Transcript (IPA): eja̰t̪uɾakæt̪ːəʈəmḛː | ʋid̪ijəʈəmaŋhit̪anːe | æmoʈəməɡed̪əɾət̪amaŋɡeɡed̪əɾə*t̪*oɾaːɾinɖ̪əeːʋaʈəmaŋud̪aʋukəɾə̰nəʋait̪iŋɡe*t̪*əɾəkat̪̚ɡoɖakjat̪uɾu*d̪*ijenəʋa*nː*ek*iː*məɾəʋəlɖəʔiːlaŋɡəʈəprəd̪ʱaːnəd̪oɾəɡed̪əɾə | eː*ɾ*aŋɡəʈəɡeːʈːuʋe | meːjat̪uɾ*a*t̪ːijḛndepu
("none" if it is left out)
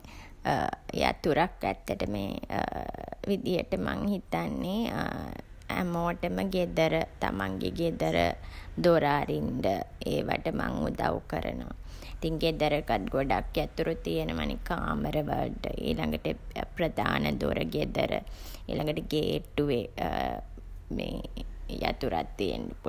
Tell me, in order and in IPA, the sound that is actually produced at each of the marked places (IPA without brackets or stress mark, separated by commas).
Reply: d̪, d̪, t̪, n, aː, l, a